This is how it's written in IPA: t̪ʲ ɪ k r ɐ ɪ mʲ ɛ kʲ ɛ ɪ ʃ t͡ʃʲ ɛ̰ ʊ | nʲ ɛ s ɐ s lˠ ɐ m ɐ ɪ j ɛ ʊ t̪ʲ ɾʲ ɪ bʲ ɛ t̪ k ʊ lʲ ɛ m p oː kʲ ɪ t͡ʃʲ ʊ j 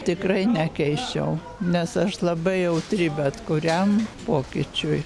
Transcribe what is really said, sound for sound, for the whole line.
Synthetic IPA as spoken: t̪ʲ ɪ k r ɐ ɪ nʲ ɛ kʲ ɛ ɪ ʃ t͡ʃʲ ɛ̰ ʊ | nʲ ɛ s ɐ ʃ lˠ ɐ b ɐ ɪ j ɛ ʊ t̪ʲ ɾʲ ɪ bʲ ɛ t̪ k ʊ ɾʲ ɛ m p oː kʲ ɪ t͡ʃʲ ʊ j

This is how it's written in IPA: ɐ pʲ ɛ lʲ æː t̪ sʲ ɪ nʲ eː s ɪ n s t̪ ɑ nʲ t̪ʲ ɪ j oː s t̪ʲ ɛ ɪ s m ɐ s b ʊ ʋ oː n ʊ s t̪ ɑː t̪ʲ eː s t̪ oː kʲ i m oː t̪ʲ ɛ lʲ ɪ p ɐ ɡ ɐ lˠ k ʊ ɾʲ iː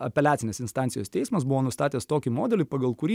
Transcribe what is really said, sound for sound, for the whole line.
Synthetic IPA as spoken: ɐ pʲ ɛ lʲ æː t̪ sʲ ɪ nʲ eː s ɪ n s t̪ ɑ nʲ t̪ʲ ɪ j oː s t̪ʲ ɛ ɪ s m ɐ s b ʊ ʋ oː n ʊ s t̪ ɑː t̪ʲ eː s t̪ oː kʲ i m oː d̪ʲ ɛ lʲ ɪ p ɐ ɡ ɐ lˠ k ʊ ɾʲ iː

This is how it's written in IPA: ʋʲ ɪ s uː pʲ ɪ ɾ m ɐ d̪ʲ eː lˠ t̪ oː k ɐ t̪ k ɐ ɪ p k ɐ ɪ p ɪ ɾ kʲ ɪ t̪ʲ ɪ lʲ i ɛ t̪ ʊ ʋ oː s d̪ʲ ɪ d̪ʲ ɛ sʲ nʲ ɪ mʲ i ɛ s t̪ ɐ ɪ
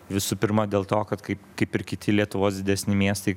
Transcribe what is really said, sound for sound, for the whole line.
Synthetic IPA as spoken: ʋʲ ɪ s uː pʲ ɪ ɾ m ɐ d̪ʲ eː lˠ t̪ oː k ɐ t̪ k ɐ ɪ p k ɐ ɪ p ɪ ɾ kʲ ɪ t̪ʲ ɪ lʲ i ɛ t̪ ʊ ʋ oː s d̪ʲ ɪ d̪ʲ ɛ sʲ nʲ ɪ mʲ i ɛ s t̪ ɐ ɪ

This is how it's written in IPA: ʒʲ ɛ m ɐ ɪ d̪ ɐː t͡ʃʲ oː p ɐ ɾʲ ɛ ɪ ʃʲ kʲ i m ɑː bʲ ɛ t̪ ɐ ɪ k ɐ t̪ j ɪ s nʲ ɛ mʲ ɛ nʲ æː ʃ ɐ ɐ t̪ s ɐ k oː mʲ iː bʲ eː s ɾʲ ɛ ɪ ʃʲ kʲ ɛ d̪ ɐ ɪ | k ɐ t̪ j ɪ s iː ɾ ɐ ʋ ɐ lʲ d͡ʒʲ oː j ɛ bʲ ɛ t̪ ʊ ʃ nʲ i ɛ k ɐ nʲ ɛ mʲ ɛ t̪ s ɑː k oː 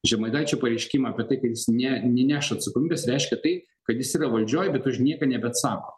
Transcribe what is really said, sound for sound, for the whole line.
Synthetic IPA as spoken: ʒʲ ɛ m ɐ ɪ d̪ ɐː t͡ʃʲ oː p ɐ ɾʲ ɛ ɪ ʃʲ kʲ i m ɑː pʲ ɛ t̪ ɐ ɪ k ɐ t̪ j ɪ s nʲ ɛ nʲ ɛ nʲ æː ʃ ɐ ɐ t̪ s ɐ k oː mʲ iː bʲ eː s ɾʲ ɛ ɪ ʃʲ kʲ ɛ t̪ ɐ ɪ | k ɐ t̪ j ɪ s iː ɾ ɐ ʋ ɐ lʲ d͡ʒʲ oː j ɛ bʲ ɛ t̪ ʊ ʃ nʲ i ɛ k ɐ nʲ ɛ bʲ ɛ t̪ s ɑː k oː

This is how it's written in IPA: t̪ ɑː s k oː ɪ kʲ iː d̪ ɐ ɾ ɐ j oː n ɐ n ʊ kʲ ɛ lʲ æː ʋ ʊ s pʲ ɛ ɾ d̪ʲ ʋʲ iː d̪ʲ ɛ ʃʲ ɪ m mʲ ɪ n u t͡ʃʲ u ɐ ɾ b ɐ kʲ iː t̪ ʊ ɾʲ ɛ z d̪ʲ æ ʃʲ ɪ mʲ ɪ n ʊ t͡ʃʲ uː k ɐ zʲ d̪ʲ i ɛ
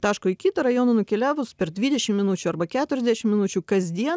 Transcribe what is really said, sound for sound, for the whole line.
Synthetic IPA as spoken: t̪ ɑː ʃ k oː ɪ kʲ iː t̪ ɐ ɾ ɐ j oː n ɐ n ʊ kʲ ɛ lʲ æː ʋ ʊ s pʲ ɛ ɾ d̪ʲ ʋʲ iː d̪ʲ ɛ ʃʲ ɪ m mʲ ɪ n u t͡ʃʲ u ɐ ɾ b ɐ kʲ æː t̪ ʊ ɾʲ ɛ z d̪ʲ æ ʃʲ ɪ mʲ ɪ n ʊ t͡ʃʲ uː k ɐ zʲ d̪ʲ i ɛ

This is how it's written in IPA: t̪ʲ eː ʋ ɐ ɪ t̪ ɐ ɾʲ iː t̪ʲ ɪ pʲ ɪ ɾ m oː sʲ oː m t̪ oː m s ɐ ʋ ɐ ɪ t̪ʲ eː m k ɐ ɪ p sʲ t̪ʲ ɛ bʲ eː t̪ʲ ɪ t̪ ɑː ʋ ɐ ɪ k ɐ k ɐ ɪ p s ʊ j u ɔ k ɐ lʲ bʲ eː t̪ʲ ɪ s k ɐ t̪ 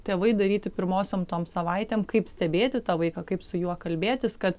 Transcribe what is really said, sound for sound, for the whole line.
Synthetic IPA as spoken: t̪ʲ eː ʋ ɐ ɪ d̪ ɐ ɾʲ iː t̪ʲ ɪ pʲ ɪ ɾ m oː sʲ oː m t̪ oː m s ɐ ʋ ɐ ɪ t̪ʲ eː m k ɐ ɪ p sʲ t̪ʲ ɛ bʲ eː t̪ʲ ɪ t̪ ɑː ʋ ɐ ɪ k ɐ k ɐ ɪ p s ʊ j u ɔ k ɐ lʲ bʲ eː t̪ʲ ɪ s k ɐ t̪

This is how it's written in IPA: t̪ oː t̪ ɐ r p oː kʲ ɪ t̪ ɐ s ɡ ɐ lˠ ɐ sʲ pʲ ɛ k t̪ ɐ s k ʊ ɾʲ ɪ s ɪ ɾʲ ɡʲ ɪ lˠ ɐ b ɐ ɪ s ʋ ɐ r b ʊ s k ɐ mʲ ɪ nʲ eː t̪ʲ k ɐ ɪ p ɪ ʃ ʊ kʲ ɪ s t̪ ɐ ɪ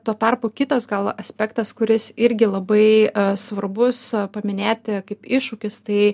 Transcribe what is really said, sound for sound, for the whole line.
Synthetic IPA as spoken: t̪ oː t̪ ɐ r p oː kʲ ɪ t̪ ɐ s ɡ ɐ lˠ ɐ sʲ pʲ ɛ k t̪ ɐ s k ʊ ɾʲ ɪ s ɪ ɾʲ ɡʲ ɪ lˠ ɐ b ɐ ɪ s ʋ ɐ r b ʊ s p ɐ mʲ ɪ nʲ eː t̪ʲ k ɐ ɪ p ɪ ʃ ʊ kʲ ɪ s t̪ ɐ ɪ

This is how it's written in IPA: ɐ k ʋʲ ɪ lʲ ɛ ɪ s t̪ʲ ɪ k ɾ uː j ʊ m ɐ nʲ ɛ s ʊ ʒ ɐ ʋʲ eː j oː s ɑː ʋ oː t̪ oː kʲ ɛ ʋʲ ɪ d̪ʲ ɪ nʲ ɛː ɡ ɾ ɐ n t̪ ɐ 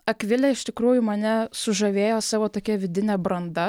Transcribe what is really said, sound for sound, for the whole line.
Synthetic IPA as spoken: ɐ k ʋʲ ɪ lʲ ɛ ɪ ʃ t̪ʲ ɪ k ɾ uː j ʊ m ɐ nʲ ɛ s ʊ ʒ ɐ ʋʲ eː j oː s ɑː ʋ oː t̪ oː kʲ ɛ ʋʲ ɪ d̪ʲ ɪ nʲ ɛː b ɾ ɐ n d̪ ɐ

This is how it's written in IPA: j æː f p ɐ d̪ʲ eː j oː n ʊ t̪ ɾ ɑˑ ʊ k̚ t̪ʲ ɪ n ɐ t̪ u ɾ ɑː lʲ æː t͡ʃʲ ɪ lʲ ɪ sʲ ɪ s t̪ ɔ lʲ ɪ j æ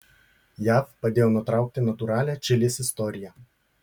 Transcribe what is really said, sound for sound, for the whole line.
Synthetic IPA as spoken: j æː f p ɐ d̪ʲ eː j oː n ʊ t̪ ɾ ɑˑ ʊ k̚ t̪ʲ ɪ n ɐ t̪ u ɾ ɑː lʲ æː t͡ʃʲ ɪ lʲ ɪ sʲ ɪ s t̪ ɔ ɾʲ ɪ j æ

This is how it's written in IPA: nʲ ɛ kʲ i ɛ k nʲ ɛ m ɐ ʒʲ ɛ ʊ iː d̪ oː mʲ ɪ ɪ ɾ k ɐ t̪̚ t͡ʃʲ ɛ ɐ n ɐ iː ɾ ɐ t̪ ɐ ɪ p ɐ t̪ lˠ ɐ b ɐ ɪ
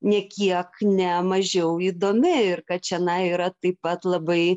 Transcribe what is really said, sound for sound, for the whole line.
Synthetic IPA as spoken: nʲ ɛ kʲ i ɛ k nʲ ɛ m ɐ ʒʲ ɛ ʊ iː d̪ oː mʲ ɪ ɪ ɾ k ɐ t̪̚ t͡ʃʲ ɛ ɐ n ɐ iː ɾ ɐ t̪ ɐ ɪ p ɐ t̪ lˠ ɐ b ɐ ɪ

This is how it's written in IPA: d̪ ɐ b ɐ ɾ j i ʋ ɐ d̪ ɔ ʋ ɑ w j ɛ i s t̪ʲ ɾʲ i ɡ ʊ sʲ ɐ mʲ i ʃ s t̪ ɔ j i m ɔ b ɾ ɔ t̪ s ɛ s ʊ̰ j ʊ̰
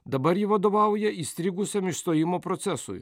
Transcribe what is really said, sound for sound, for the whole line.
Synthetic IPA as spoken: d̪ ɐ b ɐ ɾ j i ʋ ɐ d̪ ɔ ʋ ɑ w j ɛ i s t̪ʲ ɾʲ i ɡ ʊ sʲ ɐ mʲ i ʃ s t̪ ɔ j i m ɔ p ɾ ɔ t̪ s ɛ s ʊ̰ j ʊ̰

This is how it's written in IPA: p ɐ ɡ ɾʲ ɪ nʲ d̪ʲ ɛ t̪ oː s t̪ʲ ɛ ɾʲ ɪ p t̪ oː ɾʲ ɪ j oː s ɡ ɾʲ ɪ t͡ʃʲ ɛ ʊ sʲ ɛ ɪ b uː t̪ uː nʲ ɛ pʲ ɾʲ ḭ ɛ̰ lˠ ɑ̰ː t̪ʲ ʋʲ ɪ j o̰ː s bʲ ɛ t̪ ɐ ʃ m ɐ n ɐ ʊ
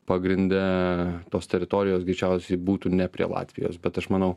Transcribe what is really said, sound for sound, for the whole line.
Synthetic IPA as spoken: p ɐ ɡ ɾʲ ɪ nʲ d̪ʲ ɛ t̪ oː s t̪ʲ ɛ ɾʲ ɪ t̪ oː ɾʲ ɪ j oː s ɡ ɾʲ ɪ t͡ʃʲ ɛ ʊ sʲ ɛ ɪ b uː t̪ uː nʲ ɛ pʲ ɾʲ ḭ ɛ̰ lˠ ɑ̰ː t̪ʲ ʋʲ ɪ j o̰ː s bʲ ɛ t̪ ɐ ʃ m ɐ n ɐ ʊ

